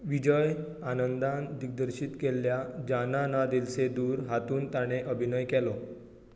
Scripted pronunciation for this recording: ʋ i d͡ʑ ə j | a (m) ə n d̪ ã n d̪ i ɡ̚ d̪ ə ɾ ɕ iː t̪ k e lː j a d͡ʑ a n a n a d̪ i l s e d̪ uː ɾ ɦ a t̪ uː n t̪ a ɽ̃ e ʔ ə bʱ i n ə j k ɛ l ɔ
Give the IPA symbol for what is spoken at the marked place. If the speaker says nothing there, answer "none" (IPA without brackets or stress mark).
n